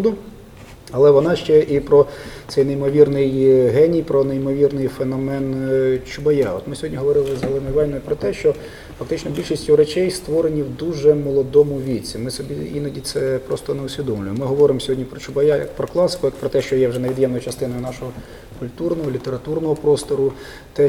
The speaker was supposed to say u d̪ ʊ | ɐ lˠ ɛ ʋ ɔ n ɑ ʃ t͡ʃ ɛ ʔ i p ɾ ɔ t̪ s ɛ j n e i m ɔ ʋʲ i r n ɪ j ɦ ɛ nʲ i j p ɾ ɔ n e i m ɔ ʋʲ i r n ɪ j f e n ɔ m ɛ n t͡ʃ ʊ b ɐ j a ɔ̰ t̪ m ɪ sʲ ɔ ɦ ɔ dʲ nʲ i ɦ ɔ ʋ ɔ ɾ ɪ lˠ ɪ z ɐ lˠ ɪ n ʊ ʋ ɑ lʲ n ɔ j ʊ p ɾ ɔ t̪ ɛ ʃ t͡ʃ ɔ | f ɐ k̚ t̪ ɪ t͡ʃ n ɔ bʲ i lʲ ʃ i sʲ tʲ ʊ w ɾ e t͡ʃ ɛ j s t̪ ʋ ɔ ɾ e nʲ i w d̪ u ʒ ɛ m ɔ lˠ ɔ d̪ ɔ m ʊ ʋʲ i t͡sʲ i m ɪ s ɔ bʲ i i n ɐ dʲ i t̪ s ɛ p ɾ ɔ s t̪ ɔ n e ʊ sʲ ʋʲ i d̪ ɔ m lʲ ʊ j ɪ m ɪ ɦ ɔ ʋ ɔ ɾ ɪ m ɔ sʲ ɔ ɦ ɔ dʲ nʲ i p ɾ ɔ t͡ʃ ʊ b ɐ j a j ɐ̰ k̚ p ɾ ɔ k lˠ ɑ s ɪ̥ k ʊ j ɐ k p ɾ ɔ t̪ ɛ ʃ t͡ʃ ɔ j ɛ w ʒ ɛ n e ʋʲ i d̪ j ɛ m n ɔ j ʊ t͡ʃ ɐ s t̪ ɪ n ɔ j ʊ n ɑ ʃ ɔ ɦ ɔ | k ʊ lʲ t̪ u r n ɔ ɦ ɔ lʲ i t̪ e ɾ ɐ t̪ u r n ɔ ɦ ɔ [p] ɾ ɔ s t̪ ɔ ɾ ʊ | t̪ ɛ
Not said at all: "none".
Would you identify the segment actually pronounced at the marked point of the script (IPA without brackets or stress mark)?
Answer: p